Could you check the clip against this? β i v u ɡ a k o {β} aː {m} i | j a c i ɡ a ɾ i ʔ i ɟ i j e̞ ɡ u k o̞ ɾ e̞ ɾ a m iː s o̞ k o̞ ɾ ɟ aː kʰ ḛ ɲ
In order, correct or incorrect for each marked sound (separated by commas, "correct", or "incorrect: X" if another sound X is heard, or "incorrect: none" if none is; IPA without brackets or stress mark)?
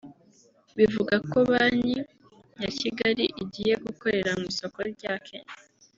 correct, incorrect: ɲ